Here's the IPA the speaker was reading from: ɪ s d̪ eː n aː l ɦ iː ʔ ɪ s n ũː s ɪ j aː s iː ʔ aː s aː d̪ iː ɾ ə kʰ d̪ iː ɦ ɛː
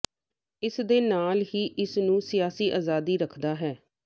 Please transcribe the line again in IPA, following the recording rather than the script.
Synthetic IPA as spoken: ɪ s d̪ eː n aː l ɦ iː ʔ ɪ s n ũː s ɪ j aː s iː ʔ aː z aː d̪ iː ɾ ə kʰ d̪ aː ɦ ɛː